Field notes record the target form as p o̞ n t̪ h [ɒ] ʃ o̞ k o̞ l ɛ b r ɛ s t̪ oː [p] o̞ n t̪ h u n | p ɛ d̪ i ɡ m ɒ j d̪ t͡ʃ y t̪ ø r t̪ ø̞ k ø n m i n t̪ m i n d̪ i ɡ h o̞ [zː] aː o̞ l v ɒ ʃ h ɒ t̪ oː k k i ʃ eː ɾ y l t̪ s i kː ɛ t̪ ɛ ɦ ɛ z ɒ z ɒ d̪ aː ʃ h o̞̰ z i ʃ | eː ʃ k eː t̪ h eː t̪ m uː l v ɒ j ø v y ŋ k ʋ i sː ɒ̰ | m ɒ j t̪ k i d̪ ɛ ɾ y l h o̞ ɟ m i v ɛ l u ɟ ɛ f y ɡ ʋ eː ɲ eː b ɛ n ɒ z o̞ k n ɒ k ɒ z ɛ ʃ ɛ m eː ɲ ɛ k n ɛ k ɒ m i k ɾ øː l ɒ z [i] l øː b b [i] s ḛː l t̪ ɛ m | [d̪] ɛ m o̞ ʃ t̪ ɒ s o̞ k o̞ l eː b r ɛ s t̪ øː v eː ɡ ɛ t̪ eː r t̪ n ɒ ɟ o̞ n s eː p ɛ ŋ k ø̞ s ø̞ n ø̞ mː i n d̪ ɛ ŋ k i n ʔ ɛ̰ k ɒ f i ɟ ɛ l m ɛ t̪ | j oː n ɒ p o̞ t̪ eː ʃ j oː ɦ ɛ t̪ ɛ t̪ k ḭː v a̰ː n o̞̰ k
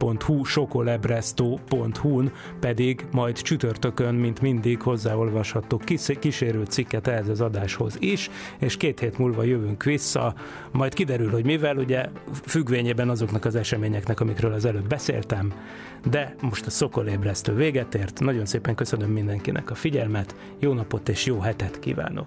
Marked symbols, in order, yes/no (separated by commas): no, yes, yes, no, no, yes